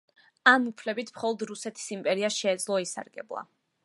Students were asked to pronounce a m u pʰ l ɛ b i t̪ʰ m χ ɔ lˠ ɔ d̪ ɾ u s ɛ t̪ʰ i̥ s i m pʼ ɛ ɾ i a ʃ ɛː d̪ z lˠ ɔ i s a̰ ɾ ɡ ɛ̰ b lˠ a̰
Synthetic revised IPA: a m u pʰ l ɛ b i t̪ʰ m χ ɔ lˠ ɔ d̪ ɾ u s ɛ t̪ʰ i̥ s i m pʼ ɛ ɾ i a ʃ ɛː d̪ z lˠ ɔ i s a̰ ɾ ɡ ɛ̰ b lˠ a̰